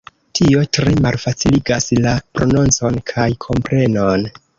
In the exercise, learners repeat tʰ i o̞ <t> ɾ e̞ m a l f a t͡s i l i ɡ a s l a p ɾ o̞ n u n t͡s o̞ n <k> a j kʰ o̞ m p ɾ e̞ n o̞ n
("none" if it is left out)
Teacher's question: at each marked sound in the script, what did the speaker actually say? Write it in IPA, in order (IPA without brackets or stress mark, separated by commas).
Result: t, kʰ